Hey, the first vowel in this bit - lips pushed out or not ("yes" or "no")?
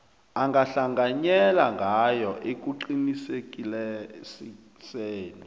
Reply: no